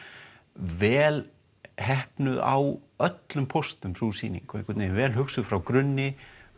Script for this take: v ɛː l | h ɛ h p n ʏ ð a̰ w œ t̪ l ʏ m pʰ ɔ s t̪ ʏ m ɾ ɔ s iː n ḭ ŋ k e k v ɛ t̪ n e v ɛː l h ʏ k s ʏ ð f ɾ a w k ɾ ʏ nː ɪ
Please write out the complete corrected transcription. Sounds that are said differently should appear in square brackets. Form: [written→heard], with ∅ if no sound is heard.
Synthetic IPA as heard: v ɛː l | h ɛ h p n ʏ ð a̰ w œ t̪ l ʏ m pʰ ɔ s t̪ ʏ m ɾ [ɔ→u] s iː n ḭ ŋ k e k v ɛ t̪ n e v ɛː l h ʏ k s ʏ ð f ɾ a w k ɾ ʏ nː ɪ